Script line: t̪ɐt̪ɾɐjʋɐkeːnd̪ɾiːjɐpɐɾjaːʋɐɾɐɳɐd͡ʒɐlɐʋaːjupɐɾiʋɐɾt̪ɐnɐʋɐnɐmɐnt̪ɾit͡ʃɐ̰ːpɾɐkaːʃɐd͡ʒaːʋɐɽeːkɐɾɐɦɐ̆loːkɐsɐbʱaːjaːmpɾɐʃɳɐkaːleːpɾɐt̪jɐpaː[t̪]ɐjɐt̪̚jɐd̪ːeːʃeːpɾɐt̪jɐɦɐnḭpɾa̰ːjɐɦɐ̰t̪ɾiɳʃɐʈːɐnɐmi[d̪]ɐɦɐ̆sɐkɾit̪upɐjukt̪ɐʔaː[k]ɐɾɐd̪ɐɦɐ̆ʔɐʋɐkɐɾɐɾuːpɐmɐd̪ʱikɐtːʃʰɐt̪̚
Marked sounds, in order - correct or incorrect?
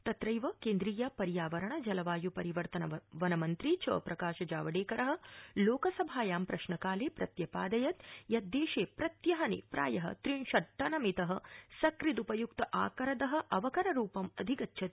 incorrect, incorrect, correct

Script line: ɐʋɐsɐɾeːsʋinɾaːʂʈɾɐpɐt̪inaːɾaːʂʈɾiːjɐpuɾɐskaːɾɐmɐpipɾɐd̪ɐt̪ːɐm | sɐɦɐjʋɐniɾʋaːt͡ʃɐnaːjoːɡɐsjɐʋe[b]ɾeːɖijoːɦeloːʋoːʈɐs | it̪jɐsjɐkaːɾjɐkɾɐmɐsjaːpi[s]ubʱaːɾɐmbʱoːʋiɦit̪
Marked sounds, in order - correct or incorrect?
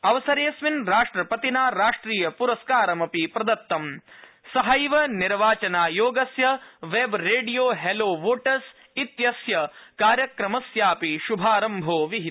correct, incorrect

